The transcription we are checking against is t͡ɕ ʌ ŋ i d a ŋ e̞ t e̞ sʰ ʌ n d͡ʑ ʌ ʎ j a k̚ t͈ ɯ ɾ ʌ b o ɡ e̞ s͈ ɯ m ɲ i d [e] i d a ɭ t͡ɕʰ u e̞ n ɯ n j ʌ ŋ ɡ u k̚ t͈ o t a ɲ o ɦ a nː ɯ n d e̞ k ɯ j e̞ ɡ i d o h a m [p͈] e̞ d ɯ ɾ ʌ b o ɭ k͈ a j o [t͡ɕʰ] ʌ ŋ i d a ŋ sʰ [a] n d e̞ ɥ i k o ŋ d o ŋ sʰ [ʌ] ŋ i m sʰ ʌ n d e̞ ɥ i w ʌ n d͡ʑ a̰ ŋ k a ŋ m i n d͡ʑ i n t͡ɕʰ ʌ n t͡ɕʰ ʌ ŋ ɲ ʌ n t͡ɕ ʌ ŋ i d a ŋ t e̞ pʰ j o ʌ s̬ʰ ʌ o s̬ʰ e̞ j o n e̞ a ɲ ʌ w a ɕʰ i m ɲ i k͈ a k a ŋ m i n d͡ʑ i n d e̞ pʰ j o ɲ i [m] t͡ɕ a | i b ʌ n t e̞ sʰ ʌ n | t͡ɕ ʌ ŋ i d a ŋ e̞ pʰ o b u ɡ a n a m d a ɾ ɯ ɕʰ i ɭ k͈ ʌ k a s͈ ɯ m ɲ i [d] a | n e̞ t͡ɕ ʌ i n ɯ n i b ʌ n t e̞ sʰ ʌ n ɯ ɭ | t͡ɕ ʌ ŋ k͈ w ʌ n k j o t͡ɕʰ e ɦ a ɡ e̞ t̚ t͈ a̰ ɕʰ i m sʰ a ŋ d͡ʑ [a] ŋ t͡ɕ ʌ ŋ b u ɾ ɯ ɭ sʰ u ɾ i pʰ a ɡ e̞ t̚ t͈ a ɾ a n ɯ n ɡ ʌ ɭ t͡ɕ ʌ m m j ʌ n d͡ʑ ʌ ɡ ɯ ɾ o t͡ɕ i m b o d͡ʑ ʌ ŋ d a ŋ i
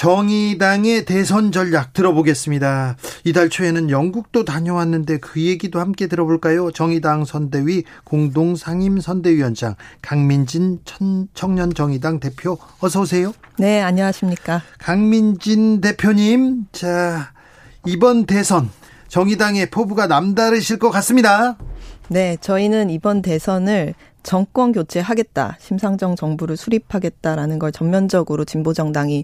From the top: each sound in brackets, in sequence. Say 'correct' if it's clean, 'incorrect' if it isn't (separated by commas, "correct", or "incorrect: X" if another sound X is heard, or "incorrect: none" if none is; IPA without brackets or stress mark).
incorrect: a, incorrect: k͈, incorrect: t͡ɕ, incorrect: ʌ, incorrect: a, correct, correct, incorrect: ʌ